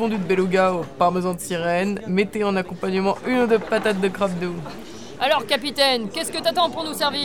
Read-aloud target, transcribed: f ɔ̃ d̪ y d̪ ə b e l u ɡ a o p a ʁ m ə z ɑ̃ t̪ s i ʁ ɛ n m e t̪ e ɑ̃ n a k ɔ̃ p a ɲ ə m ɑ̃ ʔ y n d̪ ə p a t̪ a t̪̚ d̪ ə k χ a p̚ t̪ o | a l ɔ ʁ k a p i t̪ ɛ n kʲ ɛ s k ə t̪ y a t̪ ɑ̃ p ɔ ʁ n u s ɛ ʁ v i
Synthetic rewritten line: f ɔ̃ d̪ y d̪ ə b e l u ɡ a o p a ʁ m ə z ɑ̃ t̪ s i ʁ ɛ n m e t̪ e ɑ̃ n a k ɔ̃ p a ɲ ə m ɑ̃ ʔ y n d̪ ə p a t̪ a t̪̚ d̪ ə k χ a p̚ d̪ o | a l ɔ ʁ k a p i t̪ ɛ n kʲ ɛ s k ə t̪ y a t̪ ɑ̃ p u ʁ n u s ɛ ʁ v i